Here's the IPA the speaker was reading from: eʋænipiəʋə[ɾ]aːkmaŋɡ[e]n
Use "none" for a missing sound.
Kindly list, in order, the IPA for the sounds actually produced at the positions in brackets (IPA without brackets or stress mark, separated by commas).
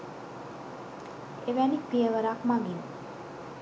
ɾ, i